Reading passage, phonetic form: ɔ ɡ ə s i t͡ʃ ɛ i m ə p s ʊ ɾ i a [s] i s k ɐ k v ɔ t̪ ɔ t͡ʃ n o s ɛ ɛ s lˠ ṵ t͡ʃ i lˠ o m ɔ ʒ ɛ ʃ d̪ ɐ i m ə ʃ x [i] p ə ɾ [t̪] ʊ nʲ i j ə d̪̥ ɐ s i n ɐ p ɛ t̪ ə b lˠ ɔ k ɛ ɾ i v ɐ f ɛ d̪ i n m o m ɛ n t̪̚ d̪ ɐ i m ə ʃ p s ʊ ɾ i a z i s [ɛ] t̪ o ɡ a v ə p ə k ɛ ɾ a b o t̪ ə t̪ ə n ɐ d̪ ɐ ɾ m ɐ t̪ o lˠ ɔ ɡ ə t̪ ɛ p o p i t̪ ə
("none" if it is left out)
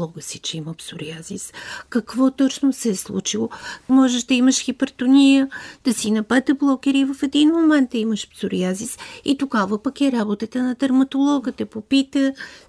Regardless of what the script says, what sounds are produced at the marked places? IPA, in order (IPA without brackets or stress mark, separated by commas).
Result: z, i, t̪, i